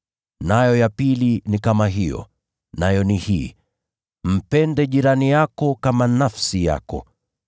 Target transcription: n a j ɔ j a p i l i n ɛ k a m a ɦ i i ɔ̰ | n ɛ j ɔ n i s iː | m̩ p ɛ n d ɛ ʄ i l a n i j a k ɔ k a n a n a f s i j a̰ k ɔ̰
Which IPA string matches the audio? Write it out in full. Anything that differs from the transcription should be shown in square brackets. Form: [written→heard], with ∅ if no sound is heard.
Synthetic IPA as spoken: n a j ɔ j a p i l i n [ɛ→i] k a m a ɦ i [i→j] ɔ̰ | n [ɛ→a] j ɔ n i [s→h] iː | m̩ p ɛ n d ɛ ʄ i [l→ɾ] a n i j a k ɔ k a [n→m] a n a f s i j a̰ k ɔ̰